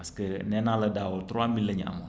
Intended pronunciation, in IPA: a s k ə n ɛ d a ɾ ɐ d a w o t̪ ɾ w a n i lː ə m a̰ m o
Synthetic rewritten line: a s k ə n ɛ n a l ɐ d a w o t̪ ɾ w a m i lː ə ɲ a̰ m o